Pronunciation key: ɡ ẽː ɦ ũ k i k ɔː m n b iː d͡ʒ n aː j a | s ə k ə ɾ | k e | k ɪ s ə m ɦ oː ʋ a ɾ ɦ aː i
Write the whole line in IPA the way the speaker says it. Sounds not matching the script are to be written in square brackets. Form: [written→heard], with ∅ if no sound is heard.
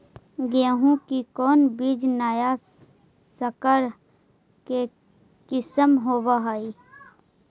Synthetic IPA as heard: ɡ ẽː ɦ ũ k i k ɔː [m→∅] n b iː d͡ʒ n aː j a | s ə k ə ɾ | k e | k ɪ s ə m ɦ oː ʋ a [ɾ→∅] ɦ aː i